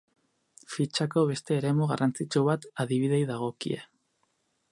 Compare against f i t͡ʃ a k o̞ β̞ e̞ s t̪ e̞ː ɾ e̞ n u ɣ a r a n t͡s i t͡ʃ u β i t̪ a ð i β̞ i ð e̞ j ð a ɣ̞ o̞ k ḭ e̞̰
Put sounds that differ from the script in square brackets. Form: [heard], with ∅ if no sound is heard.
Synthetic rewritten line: f i t͡ʃ a k o̞ β̞ e̞ s t̪ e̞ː ɾ e̞ [m] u ɣ a r a n t͡s i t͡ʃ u β [a] t̪ a ð i β̞ i ð e̞ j ð a ɣ̞ o̞ k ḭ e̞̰